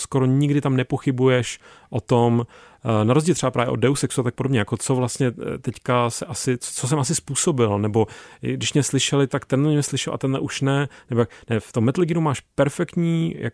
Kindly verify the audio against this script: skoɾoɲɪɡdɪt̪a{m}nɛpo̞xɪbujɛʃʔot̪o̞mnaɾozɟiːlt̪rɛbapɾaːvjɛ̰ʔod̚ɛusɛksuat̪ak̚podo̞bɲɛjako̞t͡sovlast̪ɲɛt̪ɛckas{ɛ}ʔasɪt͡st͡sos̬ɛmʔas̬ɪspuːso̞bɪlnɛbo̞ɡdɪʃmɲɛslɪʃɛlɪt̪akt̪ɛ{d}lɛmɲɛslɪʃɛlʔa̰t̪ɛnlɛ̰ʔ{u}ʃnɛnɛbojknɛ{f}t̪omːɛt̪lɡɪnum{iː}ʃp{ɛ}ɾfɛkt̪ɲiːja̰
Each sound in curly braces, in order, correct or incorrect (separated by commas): correct, correct, incorrect, correct, correct, incorrect, correct